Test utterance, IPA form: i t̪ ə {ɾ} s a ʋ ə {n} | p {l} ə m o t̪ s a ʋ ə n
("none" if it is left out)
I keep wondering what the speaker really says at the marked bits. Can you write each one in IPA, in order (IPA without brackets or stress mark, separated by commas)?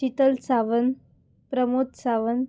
l, n, ɾ